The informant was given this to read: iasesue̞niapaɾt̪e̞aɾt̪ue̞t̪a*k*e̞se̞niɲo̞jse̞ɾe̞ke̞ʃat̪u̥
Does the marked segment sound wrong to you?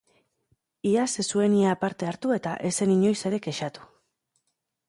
yes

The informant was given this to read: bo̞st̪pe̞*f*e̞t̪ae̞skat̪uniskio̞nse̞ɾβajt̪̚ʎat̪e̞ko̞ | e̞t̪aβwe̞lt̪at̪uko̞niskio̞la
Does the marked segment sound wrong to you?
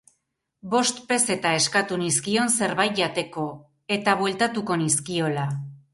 yes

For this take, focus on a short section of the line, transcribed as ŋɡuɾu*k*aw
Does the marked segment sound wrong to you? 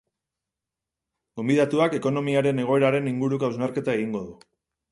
no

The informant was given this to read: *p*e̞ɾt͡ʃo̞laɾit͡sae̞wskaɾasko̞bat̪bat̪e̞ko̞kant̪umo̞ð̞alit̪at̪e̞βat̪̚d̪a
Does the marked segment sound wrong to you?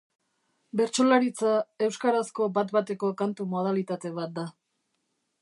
yes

